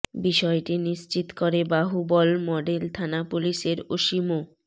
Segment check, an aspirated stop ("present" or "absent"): present